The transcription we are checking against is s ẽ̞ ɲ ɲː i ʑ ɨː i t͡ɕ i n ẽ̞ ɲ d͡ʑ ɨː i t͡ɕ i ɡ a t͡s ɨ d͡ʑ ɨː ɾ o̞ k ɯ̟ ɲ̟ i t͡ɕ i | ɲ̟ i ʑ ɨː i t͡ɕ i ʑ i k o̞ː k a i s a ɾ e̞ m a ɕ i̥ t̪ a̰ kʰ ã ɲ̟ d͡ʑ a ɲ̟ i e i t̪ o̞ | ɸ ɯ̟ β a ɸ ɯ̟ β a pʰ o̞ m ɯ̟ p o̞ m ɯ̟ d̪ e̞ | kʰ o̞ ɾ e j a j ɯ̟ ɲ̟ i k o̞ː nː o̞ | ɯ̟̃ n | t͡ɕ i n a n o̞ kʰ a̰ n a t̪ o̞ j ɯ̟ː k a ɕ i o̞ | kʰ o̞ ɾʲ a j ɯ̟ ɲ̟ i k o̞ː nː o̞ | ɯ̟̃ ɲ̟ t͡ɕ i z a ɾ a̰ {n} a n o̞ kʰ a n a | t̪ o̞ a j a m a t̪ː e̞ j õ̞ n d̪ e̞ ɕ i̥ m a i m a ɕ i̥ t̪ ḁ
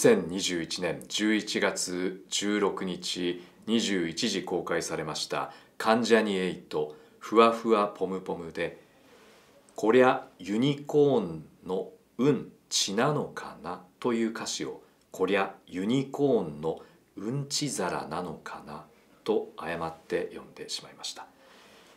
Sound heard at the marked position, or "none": n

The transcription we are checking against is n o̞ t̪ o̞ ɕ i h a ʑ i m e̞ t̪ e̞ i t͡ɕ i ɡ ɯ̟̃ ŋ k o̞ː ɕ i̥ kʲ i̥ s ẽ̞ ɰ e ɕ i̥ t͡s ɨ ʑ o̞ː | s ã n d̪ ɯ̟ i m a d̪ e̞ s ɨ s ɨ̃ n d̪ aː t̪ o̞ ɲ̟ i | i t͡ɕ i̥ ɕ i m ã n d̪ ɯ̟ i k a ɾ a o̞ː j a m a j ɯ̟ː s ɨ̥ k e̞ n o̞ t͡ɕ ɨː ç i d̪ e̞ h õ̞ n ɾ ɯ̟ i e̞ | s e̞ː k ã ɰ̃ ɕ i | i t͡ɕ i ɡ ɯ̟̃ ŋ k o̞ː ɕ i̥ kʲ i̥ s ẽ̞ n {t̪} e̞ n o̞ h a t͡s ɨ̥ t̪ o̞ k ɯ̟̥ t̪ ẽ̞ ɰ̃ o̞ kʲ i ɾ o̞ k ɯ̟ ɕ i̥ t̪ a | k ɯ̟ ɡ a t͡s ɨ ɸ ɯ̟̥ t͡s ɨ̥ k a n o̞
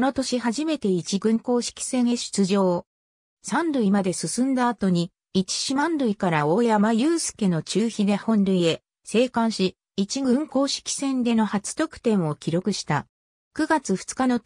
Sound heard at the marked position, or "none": d̪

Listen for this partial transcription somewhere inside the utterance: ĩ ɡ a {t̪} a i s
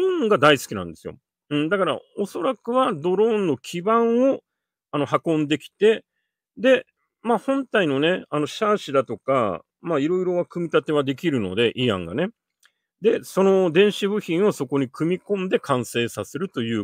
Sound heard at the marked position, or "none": d̪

